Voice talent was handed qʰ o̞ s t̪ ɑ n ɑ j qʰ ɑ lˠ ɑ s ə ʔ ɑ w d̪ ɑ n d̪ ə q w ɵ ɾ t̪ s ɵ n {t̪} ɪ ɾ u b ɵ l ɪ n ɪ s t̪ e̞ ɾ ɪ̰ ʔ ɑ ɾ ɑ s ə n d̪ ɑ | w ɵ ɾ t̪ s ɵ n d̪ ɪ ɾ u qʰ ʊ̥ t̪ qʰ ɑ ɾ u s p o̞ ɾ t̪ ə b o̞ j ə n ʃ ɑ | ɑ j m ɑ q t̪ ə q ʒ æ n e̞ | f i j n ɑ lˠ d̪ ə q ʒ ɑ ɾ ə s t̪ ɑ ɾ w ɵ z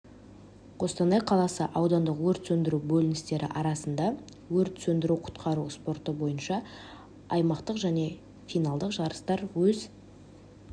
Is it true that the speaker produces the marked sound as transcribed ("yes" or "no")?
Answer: no